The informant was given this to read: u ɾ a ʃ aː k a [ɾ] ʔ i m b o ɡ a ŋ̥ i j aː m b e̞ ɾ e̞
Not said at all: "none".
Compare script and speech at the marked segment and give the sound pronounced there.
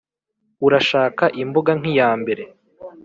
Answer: none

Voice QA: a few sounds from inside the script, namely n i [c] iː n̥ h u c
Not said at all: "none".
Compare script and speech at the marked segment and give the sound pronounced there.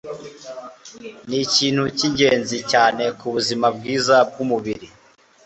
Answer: c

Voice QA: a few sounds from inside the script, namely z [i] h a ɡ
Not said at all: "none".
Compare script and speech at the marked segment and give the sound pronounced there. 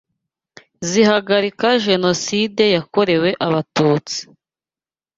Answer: i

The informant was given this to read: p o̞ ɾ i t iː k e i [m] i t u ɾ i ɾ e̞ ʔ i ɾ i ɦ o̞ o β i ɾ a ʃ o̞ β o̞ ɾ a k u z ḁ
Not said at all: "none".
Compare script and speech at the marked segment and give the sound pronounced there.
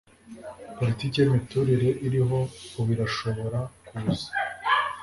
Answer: m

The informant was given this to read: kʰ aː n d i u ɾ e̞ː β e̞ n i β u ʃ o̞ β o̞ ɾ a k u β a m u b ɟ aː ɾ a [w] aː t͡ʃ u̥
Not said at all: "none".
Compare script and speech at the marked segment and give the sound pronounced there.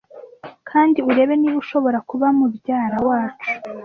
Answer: w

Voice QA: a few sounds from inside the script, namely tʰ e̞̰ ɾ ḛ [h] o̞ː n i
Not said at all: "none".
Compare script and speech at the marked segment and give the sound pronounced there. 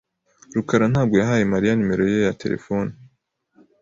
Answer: f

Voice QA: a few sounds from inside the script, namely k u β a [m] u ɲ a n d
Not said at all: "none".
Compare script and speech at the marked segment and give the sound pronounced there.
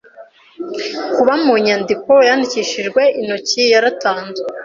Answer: m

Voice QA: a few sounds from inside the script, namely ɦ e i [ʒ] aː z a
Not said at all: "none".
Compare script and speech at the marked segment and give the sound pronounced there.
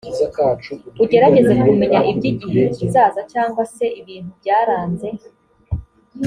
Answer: z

